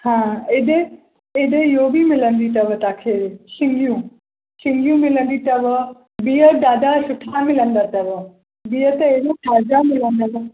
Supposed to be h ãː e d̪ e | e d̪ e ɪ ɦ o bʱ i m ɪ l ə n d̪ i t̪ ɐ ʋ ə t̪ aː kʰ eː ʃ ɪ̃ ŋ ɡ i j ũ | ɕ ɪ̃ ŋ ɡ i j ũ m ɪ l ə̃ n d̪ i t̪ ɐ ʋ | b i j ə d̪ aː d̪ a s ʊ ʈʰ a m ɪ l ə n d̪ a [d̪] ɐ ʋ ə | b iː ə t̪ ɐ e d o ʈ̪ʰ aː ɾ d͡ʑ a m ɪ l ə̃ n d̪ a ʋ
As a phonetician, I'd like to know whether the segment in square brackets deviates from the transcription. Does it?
yes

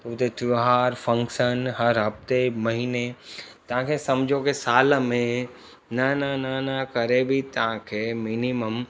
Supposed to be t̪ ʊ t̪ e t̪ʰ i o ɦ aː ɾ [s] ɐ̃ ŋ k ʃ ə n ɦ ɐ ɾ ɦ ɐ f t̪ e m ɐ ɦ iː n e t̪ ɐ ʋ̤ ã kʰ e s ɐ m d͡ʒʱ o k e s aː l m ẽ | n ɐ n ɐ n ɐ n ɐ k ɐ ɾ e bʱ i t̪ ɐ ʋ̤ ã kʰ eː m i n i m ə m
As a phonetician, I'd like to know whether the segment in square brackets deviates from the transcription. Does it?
yes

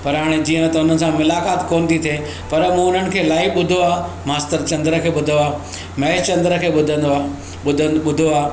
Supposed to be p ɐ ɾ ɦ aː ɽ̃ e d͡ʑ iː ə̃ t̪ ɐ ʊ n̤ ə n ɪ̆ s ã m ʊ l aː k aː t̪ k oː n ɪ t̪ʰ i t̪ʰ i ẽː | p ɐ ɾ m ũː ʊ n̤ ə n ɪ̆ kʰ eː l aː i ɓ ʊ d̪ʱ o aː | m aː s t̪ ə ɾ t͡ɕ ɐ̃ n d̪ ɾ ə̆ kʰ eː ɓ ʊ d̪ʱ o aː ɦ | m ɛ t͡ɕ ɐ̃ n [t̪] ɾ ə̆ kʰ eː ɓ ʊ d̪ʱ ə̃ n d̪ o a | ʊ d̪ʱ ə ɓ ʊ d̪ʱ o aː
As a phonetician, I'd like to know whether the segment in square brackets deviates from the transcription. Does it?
yes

